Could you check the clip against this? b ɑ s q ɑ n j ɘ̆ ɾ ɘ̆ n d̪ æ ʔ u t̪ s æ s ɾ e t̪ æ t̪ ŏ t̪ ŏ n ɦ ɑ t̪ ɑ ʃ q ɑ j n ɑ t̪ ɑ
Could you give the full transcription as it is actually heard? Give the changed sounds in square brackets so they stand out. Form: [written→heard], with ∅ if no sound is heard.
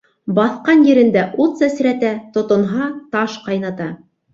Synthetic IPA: b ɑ [s→θ] q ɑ n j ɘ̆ ɾ ɘ̆ n d̪ æ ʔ u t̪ s æ s ɾ [e→æ] t̪ æ t̪ ŏ t̪ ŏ n ɦ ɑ t̪ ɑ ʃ q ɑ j n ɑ t̪ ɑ